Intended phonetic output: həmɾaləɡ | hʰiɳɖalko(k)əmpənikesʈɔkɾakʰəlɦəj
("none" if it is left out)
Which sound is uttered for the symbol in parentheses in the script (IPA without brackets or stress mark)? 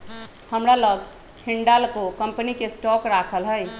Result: k